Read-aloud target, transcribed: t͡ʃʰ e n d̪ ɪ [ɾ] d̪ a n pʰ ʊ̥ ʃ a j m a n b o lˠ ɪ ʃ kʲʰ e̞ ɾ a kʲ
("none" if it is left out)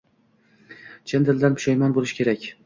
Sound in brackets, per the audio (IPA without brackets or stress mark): l